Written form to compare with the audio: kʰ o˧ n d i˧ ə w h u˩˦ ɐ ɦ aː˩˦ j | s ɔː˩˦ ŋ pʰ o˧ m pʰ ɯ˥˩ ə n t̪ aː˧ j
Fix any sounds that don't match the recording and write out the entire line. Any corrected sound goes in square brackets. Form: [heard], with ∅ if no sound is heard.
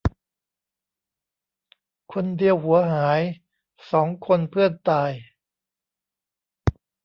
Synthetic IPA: kʰ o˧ n d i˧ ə w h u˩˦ ɐ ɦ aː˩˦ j | s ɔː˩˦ ŋ [kʰ] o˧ [n] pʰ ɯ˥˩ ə n t̪ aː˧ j